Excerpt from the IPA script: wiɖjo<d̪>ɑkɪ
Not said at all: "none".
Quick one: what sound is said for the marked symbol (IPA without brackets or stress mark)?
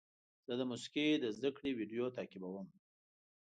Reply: t̪